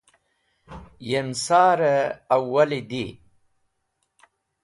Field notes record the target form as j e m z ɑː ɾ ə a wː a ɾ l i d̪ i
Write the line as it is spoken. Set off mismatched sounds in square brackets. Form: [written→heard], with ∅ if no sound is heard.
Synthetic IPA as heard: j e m [z→s] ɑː ɾ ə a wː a [ɾ→∅] l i d̪ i